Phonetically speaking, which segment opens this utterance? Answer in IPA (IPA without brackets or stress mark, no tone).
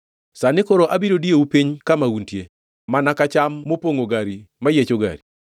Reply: s